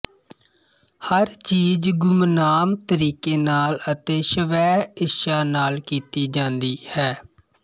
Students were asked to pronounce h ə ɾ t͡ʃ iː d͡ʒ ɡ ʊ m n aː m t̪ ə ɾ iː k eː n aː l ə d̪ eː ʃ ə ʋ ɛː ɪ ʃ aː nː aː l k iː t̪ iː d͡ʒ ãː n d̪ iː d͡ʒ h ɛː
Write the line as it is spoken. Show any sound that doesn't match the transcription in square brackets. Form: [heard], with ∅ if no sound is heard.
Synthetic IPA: h ə ɾ t͡ʃ iː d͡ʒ ɡ ʊ m n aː m t̪ ə ɾ iː k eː n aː l ə [t̪] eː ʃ ə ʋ ɛː ɪ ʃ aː [n] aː l k iː t̪ iː d͡ʒ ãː n d̪ iː [∅] h ɛː